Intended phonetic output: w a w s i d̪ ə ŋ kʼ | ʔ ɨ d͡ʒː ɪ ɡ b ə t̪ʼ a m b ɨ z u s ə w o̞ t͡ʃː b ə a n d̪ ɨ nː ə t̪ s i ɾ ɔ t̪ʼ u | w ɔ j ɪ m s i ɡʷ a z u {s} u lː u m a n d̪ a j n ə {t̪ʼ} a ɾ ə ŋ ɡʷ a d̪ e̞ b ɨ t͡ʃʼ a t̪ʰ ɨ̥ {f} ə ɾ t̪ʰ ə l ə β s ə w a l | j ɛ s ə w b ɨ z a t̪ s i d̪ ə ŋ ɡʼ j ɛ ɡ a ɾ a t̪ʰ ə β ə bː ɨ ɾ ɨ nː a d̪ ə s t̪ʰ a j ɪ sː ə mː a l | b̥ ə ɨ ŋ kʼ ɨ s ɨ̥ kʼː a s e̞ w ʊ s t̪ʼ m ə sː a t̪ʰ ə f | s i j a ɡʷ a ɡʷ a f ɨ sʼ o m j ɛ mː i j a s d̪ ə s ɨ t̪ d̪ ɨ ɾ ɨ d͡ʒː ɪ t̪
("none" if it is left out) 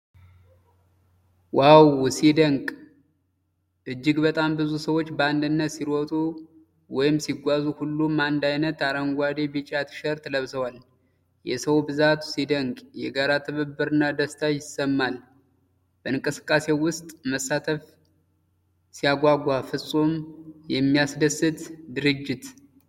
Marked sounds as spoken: h, t̪, ʃ

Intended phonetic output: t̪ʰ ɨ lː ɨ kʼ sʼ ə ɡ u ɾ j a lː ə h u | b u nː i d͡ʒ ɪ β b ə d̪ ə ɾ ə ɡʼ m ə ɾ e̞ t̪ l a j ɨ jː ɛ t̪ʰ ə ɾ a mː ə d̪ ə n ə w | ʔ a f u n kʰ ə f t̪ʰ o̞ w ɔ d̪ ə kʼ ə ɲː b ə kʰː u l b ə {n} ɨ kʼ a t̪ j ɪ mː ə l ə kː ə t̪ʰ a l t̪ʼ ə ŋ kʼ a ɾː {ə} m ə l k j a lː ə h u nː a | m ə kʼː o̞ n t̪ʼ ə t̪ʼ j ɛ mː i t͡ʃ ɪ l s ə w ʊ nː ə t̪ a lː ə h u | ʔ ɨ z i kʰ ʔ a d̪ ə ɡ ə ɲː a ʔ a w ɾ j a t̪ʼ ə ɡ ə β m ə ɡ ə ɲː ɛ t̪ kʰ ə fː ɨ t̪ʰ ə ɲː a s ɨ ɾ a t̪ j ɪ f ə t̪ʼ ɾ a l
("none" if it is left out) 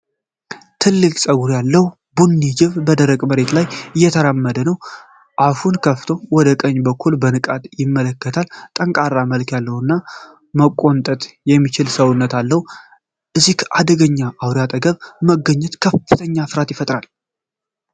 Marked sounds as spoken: n, a

